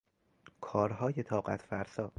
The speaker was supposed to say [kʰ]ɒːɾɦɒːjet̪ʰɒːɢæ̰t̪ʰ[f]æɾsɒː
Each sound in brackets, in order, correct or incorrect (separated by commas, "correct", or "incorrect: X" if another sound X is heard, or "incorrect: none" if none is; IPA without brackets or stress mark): correct, correct